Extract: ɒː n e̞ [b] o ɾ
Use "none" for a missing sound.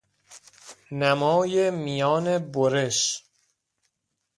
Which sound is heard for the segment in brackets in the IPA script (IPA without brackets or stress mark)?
b